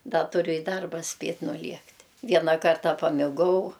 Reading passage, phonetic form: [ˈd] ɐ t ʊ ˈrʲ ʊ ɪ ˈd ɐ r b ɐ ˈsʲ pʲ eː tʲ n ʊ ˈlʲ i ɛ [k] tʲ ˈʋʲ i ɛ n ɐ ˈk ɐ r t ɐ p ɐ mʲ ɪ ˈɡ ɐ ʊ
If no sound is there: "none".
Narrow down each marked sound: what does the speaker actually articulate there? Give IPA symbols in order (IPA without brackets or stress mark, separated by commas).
d, k